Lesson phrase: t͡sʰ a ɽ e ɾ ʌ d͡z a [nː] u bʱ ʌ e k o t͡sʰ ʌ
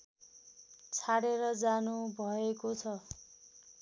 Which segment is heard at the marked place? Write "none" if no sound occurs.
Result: n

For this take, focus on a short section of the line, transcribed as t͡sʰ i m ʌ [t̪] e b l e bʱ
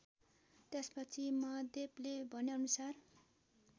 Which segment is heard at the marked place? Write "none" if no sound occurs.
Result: d̪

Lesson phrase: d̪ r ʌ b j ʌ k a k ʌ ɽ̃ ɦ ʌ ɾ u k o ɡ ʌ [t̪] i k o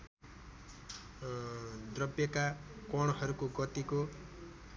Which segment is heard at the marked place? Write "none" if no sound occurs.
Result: t̪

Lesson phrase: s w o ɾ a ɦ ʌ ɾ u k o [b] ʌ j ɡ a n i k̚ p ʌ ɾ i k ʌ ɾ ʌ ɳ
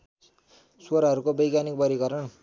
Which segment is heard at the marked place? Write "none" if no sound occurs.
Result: b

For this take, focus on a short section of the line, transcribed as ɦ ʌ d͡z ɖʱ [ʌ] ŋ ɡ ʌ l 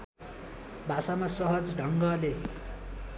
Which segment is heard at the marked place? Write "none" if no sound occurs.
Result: ʌ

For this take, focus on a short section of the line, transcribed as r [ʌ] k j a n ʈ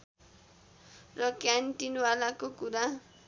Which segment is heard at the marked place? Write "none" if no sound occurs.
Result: ʌ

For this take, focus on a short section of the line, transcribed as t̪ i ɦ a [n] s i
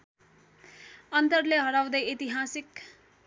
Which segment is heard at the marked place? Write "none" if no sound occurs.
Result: none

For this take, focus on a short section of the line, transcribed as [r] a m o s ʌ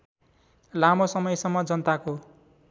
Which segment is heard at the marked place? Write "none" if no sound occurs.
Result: l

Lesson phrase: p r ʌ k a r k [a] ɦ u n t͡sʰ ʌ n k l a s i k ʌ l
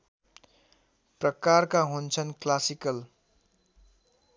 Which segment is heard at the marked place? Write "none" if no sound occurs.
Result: a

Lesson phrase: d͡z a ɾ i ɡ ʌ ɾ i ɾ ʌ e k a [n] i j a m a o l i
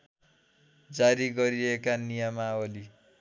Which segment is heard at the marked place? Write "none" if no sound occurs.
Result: n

